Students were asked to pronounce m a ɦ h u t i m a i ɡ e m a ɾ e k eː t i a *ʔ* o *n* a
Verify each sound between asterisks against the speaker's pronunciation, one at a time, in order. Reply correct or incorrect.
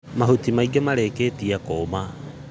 incorrect: k, incorrect: m

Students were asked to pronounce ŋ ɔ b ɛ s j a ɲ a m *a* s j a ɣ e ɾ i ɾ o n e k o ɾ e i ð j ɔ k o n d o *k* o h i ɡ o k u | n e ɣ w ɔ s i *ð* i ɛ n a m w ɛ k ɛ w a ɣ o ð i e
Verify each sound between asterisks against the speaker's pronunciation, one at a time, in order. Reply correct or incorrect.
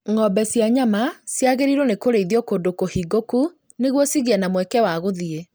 correct, correct, incorrect: ɣ

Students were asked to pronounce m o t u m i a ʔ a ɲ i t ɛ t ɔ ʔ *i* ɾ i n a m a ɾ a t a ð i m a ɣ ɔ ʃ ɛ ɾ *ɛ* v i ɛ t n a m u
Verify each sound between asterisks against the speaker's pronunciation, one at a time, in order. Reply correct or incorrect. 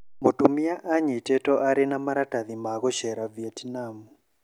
incorrect: a, incorrect: a

